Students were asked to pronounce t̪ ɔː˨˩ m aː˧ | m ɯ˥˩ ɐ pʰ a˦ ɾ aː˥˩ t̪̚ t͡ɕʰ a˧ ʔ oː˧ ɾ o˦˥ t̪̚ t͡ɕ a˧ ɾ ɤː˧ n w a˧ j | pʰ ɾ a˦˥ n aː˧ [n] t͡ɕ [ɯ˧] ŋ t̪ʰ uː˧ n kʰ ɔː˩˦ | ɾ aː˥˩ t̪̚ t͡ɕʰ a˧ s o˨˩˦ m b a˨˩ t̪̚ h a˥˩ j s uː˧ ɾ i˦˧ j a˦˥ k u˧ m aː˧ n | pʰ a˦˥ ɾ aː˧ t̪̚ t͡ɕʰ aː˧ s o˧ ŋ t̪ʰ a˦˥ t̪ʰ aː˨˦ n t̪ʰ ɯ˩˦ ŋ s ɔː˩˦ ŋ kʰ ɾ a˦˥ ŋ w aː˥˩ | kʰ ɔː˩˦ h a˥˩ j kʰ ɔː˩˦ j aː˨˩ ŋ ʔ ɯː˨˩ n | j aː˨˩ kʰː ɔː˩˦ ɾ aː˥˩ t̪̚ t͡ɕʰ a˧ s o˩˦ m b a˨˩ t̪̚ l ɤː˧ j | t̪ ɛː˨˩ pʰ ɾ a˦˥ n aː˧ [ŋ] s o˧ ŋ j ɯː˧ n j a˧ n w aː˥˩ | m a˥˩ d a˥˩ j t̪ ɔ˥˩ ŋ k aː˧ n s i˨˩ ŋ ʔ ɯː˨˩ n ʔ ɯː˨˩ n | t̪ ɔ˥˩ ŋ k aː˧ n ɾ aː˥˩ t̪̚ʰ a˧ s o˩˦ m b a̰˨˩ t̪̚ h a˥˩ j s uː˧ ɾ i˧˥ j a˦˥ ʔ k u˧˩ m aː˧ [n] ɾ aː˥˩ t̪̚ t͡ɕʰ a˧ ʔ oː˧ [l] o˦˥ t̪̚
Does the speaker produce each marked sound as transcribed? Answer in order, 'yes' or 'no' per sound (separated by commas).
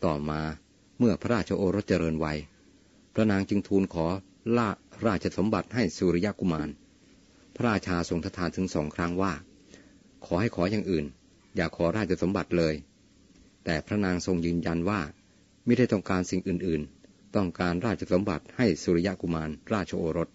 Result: no, yes, yes, yes, no